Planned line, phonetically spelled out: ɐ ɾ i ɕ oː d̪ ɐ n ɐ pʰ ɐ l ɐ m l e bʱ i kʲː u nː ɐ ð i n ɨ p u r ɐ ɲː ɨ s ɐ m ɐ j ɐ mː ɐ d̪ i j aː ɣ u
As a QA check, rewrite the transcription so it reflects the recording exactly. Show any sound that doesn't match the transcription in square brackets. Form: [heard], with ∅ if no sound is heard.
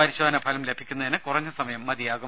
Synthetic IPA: ɐ ɾ i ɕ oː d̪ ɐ n ɐ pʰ ɐ l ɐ m l e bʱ i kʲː u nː ɐ ð i n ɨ [k] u r ɐ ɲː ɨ s ɐ m ɐ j ɐ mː ɐ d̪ i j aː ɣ u